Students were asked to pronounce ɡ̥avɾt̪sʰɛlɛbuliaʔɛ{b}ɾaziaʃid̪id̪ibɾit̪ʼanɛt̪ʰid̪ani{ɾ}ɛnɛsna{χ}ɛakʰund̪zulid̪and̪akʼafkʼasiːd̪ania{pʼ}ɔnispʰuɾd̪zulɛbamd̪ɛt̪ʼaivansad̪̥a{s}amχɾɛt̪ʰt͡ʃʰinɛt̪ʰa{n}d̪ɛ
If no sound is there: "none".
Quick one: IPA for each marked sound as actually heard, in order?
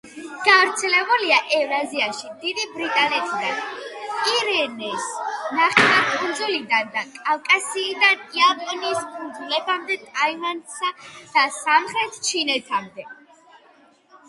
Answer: v, ɾ, χ, pʼ, s, m

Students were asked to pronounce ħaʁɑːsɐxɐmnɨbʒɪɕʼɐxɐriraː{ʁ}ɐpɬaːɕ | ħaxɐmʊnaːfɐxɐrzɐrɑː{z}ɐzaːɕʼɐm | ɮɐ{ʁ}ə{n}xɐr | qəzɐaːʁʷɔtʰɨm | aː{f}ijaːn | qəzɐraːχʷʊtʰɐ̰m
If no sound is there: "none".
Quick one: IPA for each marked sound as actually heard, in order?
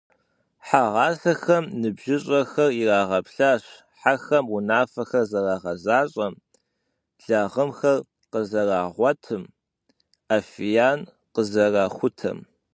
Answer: ʁ, ʁ, ʁ, m, f

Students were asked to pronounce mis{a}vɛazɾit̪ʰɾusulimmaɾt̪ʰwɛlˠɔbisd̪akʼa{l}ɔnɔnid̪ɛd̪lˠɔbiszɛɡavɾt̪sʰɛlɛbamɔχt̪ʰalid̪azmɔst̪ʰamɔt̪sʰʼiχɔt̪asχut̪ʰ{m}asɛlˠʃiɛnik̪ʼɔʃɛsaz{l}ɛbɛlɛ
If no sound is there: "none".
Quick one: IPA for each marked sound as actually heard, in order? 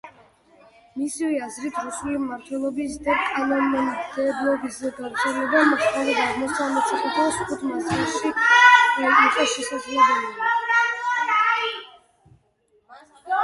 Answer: i, l, m, l

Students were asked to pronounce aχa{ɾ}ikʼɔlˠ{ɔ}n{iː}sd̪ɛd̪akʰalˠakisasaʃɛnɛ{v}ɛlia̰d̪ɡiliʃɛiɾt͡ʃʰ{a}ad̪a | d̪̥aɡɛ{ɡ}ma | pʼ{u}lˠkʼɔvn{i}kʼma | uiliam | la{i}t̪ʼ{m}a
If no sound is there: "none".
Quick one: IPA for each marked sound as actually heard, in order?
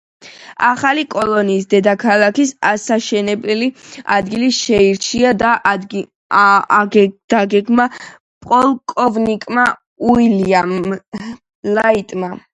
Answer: l, ɔ, iː, b, i, ɡ, ɔ, i, i, m

